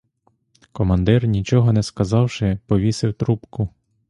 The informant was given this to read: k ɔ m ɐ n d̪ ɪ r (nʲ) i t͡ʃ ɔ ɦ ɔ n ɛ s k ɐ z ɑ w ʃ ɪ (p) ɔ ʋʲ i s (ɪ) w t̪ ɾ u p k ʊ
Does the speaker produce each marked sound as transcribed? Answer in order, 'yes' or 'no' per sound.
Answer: yes, yes, yes

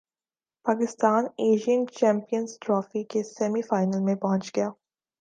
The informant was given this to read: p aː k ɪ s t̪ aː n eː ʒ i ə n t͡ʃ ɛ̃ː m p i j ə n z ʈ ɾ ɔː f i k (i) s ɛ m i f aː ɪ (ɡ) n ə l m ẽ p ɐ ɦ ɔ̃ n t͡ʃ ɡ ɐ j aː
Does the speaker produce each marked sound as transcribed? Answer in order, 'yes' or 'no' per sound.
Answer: no, no

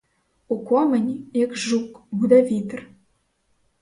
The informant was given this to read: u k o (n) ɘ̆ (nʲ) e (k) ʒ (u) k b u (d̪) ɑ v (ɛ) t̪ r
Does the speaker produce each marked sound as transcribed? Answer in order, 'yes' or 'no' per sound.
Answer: no, yes, yes, yes, yes, no

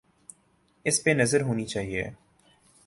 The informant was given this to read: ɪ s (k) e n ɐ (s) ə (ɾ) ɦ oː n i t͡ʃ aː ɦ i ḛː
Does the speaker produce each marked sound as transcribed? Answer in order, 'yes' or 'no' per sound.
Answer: no, no, yes

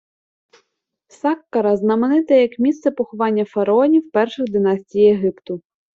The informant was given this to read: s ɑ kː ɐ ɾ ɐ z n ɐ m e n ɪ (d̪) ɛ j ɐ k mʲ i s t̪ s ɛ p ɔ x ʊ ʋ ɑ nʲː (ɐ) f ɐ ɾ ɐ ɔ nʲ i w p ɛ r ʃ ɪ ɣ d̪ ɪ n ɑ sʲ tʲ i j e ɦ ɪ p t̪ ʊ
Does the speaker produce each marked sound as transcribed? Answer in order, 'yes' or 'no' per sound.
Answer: no, yes

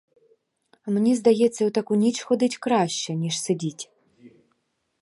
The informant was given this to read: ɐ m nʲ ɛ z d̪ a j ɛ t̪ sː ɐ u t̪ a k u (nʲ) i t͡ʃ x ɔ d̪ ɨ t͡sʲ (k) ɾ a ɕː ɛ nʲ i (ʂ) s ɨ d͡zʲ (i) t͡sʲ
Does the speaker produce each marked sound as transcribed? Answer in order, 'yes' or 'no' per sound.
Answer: yes, yes, yes, yes

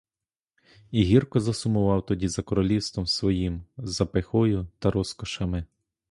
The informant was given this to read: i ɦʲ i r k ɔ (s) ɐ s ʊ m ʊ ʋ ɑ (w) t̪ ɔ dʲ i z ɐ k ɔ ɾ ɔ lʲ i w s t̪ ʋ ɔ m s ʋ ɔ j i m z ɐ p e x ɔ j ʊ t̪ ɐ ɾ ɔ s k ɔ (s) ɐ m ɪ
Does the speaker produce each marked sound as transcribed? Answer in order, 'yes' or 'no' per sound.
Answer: no, yes, no

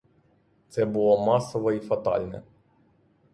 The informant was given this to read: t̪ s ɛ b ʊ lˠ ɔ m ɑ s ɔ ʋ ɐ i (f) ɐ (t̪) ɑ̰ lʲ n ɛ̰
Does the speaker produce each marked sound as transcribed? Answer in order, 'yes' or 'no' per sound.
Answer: yes, yes

